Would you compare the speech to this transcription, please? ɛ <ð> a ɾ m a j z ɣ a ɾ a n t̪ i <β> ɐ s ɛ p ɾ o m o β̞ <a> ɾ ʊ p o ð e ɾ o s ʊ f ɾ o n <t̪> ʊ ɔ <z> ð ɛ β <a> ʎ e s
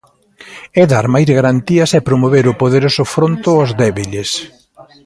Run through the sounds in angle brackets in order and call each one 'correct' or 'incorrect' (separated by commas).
correct, incorrect, incorrect, correct, correct, incorrect